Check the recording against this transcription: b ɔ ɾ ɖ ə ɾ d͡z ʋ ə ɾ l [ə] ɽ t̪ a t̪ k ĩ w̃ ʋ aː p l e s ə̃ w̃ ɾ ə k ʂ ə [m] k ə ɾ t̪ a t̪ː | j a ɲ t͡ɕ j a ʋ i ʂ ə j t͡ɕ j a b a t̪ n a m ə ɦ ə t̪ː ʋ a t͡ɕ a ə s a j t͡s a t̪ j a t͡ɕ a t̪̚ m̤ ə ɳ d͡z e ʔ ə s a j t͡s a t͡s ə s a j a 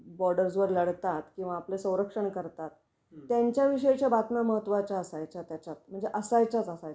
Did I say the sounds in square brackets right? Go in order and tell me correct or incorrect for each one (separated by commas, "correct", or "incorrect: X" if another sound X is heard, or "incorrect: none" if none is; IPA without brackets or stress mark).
correct, incorrect: ɳ